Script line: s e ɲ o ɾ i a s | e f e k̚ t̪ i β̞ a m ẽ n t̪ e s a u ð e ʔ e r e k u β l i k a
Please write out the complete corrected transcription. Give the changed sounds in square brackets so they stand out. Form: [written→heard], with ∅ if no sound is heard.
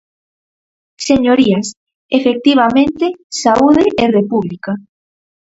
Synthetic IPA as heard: s e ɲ o ɾ i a s | e f e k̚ t̪ i β̞ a m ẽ n t̪ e s a u ð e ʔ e r e [k→p] u β l i k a